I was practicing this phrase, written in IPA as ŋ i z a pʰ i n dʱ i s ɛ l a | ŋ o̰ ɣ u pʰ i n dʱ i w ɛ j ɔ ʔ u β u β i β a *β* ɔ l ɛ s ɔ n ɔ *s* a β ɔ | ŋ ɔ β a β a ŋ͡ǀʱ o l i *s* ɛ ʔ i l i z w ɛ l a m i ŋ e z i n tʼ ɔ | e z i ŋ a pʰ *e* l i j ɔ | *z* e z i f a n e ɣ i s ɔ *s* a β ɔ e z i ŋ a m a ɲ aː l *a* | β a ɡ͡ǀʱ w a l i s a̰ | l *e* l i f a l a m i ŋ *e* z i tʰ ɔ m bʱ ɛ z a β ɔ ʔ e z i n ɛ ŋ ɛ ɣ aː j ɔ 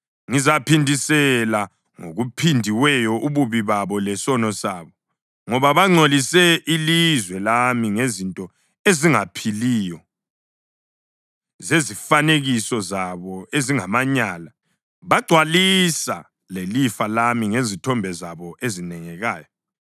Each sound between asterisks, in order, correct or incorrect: correct, correct, correct, incorrect: i, correct, incorrect: z, correct, correct, correct

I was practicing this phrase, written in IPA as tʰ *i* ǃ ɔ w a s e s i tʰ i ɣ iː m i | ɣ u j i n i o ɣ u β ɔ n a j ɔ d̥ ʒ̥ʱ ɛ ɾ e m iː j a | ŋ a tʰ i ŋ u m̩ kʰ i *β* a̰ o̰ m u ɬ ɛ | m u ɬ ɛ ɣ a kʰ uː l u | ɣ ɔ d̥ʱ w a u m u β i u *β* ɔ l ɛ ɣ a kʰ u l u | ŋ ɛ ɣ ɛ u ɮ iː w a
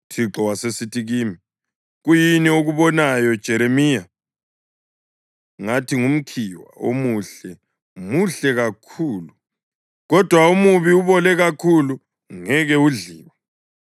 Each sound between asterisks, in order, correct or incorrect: correct, incorrect: w, correct

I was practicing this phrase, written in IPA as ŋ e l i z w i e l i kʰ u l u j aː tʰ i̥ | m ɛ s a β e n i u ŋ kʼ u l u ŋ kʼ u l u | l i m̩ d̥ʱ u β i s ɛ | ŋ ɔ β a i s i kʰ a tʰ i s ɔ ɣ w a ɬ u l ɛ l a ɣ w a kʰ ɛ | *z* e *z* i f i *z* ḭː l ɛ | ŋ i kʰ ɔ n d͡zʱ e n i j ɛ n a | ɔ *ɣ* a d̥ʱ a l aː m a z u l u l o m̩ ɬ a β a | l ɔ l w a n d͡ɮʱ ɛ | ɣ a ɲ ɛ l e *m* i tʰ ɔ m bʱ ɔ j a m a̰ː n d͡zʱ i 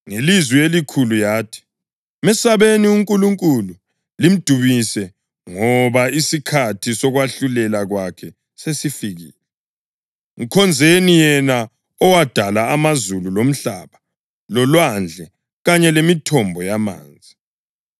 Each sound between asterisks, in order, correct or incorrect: incorrect: s, incorrect: s, incorrect: ɣ, incorrect: w, correct

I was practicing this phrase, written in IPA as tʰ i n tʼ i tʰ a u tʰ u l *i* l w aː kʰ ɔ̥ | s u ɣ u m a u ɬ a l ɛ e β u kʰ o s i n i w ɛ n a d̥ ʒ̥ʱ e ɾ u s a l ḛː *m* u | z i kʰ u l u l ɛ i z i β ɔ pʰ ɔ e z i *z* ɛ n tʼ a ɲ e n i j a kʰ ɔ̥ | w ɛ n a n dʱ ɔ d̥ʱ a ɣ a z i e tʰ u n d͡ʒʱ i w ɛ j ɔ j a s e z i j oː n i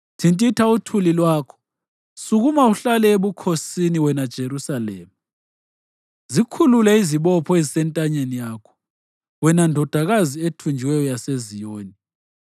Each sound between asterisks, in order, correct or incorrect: correct, correct, incorrect: s

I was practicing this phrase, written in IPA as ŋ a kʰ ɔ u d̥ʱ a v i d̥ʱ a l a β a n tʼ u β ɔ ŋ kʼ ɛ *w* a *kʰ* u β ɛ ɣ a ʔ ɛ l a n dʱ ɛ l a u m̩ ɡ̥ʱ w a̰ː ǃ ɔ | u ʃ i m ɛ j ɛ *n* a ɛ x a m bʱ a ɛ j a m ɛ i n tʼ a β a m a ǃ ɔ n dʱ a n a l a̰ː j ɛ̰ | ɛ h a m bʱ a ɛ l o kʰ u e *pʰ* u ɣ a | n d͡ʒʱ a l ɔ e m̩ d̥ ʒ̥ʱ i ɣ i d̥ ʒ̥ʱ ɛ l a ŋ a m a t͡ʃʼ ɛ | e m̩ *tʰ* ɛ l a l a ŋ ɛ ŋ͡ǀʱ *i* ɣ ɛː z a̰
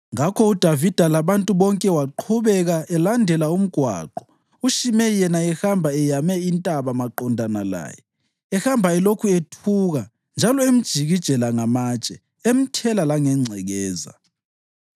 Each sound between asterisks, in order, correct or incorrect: correct, incorrect: ǃʰ, correct, incorrect: tʰ, correct, incorrect: ɛ

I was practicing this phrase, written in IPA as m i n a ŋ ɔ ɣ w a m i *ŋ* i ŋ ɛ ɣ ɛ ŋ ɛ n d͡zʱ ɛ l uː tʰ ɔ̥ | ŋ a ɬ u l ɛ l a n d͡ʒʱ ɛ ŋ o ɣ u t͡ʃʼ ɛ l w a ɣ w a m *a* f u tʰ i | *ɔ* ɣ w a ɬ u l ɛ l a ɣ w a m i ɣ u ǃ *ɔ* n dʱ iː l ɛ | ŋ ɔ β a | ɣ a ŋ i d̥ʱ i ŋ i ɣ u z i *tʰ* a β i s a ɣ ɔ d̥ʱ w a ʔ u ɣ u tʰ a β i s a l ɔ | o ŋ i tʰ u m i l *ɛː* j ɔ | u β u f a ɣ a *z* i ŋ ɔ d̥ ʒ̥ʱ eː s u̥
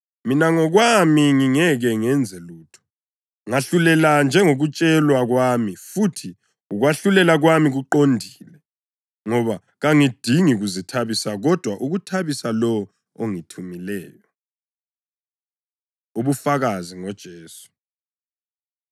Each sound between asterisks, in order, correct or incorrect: correct, incorrect: i, incorrect: u, incorrect: o, correct, correct, correct

